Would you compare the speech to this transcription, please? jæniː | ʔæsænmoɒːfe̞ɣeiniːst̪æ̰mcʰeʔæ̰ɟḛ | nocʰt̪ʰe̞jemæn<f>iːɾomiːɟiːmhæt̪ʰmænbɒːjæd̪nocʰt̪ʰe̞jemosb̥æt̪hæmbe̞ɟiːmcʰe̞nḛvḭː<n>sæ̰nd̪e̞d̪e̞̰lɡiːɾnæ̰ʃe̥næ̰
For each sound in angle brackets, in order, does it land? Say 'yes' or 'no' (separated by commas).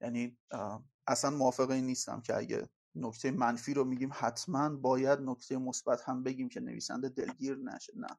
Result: yes, no